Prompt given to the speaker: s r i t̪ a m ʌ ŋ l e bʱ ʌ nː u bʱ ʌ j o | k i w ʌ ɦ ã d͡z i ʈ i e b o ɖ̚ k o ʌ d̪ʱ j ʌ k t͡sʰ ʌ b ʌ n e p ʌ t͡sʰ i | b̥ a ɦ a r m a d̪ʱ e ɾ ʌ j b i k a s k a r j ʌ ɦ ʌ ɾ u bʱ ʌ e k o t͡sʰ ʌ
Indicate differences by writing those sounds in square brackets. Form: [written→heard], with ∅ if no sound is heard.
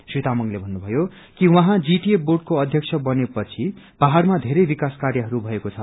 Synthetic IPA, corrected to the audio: s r i t̪ a m ʌ ŋ l e bʱ ʌ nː u bʱ ʌ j o | k i w ʌ ɦ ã d͡z i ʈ i e b o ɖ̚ k o ʌ d̪ʱ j ʌ k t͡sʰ ʌ b ʌ n e p ʌ t͡sʰ i | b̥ a ɦ a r m a d̪ʱ e ɾ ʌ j b i k a s k a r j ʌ ɦ ʌ ɾ u bʱ ʌ e k o t͡sʰ ʌ